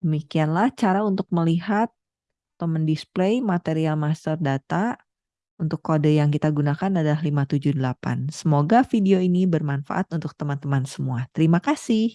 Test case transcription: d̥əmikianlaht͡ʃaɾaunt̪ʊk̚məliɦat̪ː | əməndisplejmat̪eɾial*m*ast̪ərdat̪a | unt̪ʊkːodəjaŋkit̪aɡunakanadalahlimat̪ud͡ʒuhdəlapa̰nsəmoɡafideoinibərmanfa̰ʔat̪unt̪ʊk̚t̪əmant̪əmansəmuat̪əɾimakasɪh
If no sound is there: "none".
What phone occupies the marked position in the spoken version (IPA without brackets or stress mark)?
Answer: m